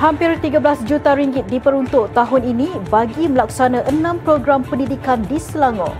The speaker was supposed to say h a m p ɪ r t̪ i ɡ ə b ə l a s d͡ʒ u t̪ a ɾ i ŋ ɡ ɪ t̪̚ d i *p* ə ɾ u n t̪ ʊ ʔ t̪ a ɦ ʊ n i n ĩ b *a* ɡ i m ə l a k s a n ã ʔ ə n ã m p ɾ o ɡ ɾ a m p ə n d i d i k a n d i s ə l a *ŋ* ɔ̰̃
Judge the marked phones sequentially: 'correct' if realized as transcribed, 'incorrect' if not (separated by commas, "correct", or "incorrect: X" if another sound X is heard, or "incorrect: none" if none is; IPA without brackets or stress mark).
correct, correct, correct